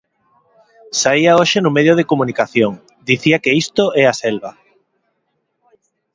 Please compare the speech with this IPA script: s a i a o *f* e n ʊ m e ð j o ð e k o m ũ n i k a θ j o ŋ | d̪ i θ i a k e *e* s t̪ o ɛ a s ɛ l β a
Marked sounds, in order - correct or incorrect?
incorrect: ʃ, incorrect: i

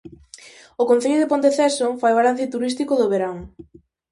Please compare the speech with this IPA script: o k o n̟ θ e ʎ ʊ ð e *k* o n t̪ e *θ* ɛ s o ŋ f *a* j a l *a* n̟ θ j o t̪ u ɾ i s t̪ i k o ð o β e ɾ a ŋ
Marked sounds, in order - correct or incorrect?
incorrect: p, correct, correct, correct

